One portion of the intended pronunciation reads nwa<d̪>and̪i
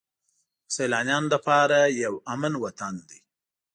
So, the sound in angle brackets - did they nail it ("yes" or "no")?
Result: no